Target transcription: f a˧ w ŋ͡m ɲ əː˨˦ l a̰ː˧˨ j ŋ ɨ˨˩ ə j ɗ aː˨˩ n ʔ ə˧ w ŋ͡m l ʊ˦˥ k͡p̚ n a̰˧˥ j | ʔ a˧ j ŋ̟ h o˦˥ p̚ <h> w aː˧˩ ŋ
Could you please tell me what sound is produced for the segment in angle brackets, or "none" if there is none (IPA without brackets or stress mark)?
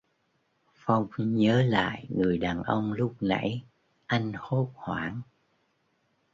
h